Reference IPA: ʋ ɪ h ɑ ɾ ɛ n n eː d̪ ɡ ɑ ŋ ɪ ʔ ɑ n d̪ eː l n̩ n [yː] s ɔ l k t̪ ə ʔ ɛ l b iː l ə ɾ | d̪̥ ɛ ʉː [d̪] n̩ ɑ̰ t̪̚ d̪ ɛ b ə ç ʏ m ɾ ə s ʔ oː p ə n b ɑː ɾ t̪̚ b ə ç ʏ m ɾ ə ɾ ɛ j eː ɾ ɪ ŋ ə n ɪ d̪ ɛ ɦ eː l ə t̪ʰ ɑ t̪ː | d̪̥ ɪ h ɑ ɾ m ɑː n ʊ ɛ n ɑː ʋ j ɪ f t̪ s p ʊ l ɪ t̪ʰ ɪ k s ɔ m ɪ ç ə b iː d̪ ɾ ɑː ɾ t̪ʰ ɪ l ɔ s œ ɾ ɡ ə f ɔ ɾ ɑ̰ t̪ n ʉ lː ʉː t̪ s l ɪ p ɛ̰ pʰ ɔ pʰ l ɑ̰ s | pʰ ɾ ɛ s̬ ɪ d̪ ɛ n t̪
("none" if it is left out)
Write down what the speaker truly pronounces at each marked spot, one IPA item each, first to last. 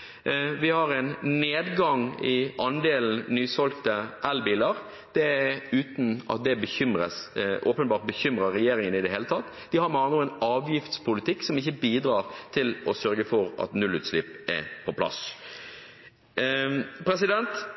yː, t̪

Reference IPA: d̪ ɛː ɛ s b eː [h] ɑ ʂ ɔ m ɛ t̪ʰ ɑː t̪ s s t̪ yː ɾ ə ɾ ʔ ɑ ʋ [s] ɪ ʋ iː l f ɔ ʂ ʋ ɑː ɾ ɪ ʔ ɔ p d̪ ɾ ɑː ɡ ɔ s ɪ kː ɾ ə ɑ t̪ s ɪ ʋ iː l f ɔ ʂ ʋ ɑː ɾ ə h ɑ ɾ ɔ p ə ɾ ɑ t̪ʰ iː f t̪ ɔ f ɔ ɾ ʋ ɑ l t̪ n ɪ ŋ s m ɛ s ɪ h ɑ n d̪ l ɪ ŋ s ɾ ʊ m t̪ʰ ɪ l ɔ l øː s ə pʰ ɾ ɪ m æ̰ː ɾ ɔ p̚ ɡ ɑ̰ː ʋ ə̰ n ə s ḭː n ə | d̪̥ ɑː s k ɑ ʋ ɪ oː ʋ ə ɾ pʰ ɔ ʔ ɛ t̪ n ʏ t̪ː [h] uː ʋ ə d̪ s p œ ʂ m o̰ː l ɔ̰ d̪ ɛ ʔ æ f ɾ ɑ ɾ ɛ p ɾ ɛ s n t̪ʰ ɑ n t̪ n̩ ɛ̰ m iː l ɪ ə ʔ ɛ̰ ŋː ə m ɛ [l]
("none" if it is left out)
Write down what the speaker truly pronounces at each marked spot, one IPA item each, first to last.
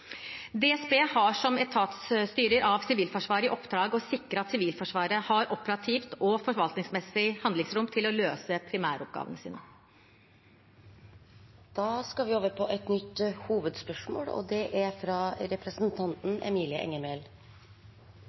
h, s, h, l

